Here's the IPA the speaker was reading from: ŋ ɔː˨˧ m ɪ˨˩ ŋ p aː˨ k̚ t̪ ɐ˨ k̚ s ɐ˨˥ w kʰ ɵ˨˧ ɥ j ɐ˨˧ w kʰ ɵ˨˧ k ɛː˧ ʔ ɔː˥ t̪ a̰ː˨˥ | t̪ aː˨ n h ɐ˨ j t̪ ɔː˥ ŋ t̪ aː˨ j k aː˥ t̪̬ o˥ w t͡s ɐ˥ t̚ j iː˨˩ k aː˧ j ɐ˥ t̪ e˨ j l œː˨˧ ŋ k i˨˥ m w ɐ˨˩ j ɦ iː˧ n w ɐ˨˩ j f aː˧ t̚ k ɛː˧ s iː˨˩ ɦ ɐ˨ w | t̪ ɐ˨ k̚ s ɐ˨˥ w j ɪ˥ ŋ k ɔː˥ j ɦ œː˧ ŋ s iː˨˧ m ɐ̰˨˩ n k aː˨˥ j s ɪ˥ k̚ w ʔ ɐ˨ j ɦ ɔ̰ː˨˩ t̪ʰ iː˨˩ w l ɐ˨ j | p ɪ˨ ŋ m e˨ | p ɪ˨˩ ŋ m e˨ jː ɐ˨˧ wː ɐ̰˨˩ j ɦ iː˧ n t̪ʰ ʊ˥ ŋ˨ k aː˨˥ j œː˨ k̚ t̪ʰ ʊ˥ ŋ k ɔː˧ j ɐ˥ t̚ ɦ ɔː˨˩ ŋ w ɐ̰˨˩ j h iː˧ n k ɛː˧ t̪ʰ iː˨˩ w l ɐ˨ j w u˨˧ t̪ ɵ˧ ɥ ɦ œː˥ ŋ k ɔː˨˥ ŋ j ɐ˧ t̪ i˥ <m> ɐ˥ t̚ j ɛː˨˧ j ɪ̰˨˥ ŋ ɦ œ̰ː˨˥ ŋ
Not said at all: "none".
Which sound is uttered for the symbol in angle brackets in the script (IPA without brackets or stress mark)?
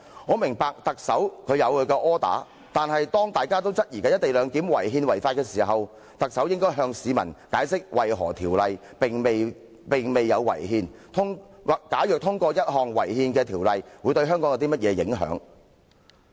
m